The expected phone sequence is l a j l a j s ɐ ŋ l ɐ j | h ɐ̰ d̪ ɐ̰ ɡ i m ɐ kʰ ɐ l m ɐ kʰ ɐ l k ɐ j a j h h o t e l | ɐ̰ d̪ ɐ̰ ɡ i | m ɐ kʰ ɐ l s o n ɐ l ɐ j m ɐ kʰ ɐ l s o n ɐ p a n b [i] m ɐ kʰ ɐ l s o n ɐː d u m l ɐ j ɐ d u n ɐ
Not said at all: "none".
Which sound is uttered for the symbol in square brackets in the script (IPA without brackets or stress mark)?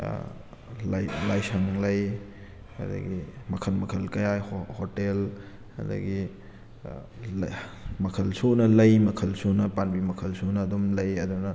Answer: i